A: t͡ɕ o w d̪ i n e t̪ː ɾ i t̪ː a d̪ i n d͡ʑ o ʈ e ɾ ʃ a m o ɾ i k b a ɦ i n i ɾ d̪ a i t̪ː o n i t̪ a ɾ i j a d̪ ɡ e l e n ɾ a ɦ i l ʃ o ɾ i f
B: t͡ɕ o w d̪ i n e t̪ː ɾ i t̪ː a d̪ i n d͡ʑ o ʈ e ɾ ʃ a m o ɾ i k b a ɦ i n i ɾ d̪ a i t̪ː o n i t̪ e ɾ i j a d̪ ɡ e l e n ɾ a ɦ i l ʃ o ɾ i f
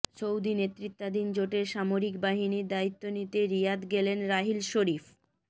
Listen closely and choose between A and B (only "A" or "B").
B